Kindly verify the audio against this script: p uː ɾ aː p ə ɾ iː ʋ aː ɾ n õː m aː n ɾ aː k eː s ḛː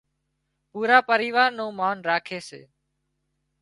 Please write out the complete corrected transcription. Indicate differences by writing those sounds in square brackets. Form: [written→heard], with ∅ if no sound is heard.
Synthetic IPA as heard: p uː ɾ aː p ə ɾ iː ʋ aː ɾ n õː m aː n ɾ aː [k→kʰ] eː s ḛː